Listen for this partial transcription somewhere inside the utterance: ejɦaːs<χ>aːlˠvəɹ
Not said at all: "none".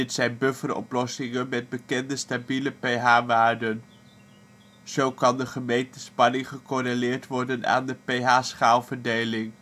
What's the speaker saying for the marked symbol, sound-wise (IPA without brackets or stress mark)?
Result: χ